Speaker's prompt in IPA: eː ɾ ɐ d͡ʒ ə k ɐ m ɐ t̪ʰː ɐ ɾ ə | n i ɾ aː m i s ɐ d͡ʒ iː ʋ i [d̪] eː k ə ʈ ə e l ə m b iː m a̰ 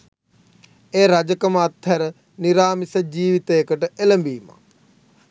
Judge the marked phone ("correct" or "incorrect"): incorrect